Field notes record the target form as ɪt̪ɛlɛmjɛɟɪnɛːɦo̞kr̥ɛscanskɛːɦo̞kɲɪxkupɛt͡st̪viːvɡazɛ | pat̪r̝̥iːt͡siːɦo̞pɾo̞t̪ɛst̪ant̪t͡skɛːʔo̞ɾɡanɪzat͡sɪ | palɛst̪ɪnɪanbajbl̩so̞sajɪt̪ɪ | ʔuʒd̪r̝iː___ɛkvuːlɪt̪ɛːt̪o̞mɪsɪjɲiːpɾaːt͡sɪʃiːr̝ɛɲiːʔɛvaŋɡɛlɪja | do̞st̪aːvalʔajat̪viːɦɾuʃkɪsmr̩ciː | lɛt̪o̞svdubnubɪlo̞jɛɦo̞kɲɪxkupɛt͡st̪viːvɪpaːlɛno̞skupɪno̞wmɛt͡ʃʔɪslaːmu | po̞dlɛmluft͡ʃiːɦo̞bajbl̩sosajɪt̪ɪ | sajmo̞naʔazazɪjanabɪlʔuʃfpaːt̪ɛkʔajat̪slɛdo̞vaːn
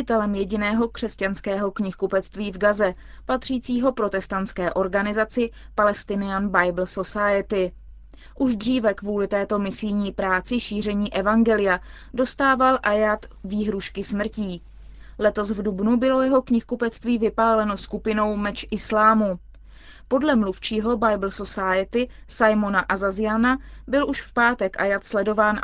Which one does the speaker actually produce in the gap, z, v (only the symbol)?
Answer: v